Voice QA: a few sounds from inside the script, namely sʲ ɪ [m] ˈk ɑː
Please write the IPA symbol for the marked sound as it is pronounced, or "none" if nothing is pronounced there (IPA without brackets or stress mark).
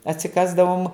none